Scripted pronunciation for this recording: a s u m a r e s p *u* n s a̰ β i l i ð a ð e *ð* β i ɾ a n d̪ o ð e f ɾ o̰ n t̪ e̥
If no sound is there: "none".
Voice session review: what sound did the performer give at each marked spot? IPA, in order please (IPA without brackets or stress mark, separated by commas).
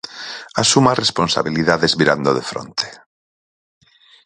o, z